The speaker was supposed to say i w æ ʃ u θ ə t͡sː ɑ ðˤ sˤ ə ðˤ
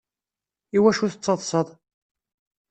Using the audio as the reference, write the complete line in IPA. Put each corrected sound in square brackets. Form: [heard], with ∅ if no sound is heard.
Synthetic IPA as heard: i w æ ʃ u θ ə t͡sː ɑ ðˤ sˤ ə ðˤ